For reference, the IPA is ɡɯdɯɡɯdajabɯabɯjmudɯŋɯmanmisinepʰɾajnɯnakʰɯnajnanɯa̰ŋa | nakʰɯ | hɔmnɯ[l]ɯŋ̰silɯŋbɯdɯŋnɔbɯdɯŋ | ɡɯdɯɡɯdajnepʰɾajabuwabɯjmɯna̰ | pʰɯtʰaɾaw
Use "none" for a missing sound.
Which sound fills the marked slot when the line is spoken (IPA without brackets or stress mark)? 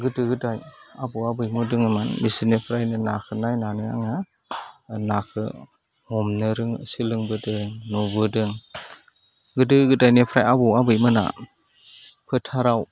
ɾ